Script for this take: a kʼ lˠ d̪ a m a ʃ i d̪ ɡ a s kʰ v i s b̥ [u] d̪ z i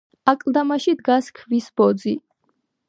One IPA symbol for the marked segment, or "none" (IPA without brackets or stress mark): ɔ